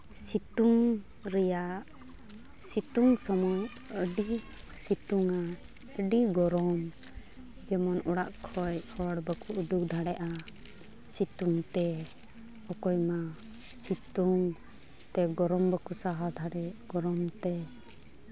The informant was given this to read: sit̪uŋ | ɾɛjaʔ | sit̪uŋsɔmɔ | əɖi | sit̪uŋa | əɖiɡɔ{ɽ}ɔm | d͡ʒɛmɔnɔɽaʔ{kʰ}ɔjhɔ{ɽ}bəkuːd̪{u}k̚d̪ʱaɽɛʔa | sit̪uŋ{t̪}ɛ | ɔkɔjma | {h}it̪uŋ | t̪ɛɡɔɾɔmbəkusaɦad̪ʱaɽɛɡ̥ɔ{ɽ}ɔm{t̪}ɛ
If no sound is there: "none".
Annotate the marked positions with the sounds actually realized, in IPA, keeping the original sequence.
ɾ, kʰ, ɽ, u, t̪, s, ɾ, t̪

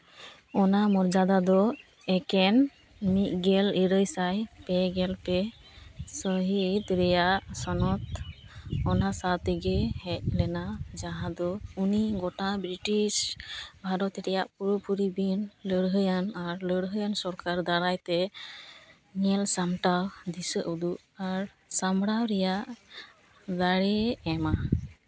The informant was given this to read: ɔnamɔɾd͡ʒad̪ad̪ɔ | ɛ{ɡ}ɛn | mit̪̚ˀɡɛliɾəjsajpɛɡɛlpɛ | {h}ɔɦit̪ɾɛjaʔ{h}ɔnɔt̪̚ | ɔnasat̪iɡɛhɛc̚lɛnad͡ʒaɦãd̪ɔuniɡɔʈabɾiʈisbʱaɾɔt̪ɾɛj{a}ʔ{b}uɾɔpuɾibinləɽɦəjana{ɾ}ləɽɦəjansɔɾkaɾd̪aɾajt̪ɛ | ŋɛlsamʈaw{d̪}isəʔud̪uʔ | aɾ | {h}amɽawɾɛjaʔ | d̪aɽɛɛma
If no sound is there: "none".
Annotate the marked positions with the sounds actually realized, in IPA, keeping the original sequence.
k, s, s, a, p, ɾ, d̪, s

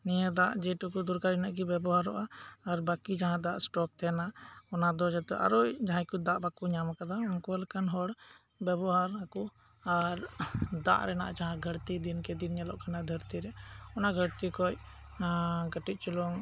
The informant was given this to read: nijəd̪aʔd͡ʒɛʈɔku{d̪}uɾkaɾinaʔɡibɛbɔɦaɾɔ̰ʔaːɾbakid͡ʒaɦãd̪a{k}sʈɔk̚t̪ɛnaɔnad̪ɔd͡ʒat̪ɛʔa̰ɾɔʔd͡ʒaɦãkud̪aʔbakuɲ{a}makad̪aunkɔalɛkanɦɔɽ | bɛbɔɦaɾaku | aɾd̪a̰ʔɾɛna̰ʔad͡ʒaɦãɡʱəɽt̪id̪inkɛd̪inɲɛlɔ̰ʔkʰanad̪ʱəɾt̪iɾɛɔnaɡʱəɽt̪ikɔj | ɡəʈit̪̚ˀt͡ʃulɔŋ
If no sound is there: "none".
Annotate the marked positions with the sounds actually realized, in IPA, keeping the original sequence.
d̪, ʔ, a

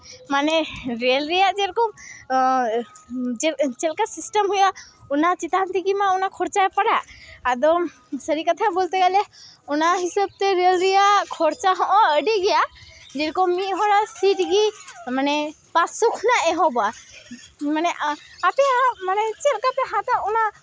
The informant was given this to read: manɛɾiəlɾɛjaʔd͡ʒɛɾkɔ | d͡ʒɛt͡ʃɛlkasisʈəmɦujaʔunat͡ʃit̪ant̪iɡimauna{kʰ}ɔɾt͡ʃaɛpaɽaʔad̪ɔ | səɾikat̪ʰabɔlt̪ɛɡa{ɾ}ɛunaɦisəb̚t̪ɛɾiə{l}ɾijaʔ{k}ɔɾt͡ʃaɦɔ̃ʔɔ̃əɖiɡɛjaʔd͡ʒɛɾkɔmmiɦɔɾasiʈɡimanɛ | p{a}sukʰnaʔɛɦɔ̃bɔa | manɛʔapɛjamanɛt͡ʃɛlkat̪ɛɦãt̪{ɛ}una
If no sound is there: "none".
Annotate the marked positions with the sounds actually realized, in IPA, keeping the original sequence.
kʰ, l, l, kʰ, a, a

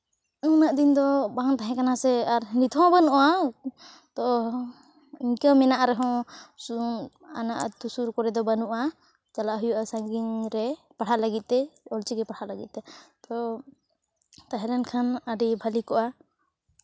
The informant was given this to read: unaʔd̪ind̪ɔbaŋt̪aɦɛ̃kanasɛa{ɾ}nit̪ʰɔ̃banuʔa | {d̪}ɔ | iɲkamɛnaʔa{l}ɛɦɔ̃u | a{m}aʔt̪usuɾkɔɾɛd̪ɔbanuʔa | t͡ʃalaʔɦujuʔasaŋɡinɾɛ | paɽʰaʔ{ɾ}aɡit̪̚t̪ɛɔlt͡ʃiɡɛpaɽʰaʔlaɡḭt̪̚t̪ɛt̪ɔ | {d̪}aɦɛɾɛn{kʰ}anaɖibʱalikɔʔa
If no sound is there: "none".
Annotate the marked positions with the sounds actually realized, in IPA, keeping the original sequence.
ɾ, t̪, ɾ, n, l, t̪, kʰ

